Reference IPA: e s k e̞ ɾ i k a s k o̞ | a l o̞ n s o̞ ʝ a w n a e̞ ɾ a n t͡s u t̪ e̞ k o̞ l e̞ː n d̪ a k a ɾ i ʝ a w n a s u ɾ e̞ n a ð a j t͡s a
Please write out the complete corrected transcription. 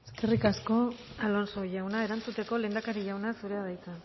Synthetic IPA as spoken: e s k e̞ r i k a s k o̞ | a l o̞ n s o̞ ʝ a w n a e̞ ɾ a n t͡s u t̪ e̞ k o̞ l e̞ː n d̪ a k a ɾ i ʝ a w n a s u ɾ e̞ a ð a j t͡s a

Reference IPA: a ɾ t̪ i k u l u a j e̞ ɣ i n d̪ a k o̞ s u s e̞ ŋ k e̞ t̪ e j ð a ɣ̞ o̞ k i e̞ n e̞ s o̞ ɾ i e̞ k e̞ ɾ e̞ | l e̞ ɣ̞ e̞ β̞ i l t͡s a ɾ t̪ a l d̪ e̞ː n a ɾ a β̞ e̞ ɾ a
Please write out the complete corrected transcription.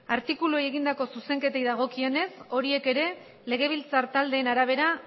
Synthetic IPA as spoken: a ɾ t̪ i k u l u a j e̞ ɣ i n d̪ a k o̞ s u s e̞ ŋ k e̞ t̪ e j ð a ɣ̞ o̞ k i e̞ n e̞ s o̞ ɾ i e̞ k e̞ ɾ e̞ | l e̞ ɣ̞ e̞ β̞ i l t͡s a ɾ t̪ a l d̪ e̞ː n a ɾ a β̞ e̞ ɾ a

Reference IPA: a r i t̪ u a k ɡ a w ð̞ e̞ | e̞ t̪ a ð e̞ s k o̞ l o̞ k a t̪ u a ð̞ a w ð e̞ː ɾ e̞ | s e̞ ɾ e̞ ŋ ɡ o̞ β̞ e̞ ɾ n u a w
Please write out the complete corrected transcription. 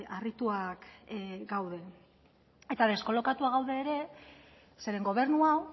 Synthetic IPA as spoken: a r i t̪ u a k ɡ a w ð̞ e̞ | e̞ t̪ a ð e̞ s k o̞ l o̞ k a t̪ u a ɣ̞ a w ð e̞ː ɾ e̞ | s e̞ ɾ e̞ ŋ ɡ o̞ β̞ e̞ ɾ n u a w

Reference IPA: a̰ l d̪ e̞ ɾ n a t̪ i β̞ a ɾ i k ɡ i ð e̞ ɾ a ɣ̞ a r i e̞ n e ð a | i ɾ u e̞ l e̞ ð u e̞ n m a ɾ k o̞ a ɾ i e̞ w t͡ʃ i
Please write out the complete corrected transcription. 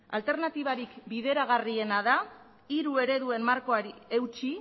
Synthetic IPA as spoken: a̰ l t̪ e̞ ɾ n a t̪ i β̞ a ɾ i k b i ð e̞ ɾ a ɣ̞ a r i e̞ n a ð a | i ɾ u e̞ ɾ e̞ ð u e̞ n m a ɾ k o̞ a ɾ i e̞ w t͡ʃ i

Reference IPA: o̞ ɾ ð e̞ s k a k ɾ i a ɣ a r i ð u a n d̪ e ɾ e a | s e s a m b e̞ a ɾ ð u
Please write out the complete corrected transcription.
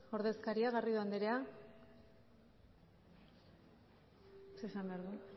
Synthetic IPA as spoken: o̞ ɾ ð e̞ s k a ɾ i a ɣ a r i ð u a n d̪ e ɾ e a | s e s a m b e̞ a ɾ ð u

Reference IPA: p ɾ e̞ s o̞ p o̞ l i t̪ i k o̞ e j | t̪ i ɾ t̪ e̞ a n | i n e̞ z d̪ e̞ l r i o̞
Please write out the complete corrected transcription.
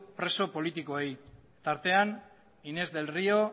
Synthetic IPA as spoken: p ɾ e̞ s o̞ p o̞ l i t̪ i k o̞ e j | t̪ a ɾ t̪ e̞ a n | i n e̞ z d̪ e̞ l r i o̞

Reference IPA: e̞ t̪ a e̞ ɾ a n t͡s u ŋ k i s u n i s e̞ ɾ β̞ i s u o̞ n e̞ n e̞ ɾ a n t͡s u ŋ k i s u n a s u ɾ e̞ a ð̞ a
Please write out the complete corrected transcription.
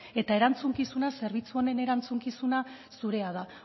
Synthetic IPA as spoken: e̞ t̪ a e̞ ɾ a n t͡s u ŋ k i s u n a s e̞ ɾ β̞ i t͡s u o̞ n e̞ n e̞ ɾ a n t͡s u ŋ k i s u n a s u ɾ e̞ a ð̞ a

